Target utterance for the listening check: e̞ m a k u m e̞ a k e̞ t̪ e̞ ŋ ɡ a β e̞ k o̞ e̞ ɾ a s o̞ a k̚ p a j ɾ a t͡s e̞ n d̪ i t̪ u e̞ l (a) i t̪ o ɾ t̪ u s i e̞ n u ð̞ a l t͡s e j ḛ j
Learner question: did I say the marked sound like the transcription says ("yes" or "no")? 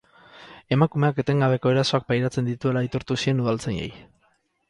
yes